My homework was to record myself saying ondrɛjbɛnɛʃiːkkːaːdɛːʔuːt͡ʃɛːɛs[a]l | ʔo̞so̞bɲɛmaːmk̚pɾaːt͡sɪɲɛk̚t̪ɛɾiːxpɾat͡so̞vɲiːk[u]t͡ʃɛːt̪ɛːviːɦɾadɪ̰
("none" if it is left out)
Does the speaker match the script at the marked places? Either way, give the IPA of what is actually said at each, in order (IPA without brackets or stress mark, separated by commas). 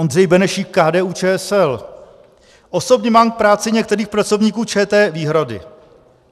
ɛ, uː